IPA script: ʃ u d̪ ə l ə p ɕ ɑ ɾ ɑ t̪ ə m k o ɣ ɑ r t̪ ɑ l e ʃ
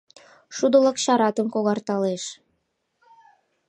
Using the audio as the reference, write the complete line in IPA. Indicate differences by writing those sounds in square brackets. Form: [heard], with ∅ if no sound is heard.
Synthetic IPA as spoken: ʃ u d̪ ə l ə [k] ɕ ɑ ɾ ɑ t̪ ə m k o ɣ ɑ r t̪ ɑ l e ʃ